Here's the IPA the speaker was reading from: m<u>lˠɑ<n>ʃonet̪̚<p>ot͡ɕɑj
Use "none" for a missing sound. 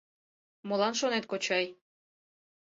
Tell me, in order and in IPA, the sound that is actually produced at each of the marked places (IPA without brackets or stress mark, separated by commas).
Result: o, n, k